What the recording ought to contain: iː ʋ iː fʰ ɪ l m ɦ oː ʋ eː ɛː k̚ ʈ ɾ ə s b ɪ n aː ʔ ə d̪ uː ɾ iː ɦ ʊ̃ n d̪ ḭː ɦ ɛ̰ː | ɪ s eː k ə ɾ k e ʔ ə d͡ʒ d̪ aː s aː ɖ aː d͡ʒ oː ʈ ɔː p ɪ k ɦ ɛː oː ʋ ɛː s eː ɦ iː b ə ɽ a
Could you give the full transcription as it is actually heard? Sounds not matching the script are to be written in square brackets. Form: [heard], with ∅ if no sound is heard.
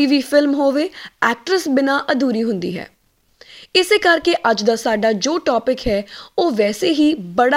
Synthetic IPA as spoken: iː ʋ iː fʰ ɪ l m ɦ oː ʋ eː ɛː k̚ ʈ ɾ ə s b ɪ n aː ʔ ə d̪ uː ɾ iː ɦ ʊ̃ n d̪ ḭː ɦ ɛ̰ː | ɪ s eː k ə ɾ k e ʔ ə d͡ʒ d̪ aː s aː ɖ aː d͡ʒ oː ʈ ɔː p ɪ k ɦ ɛː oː ʋ ɛː s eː ɦ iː b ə ɽ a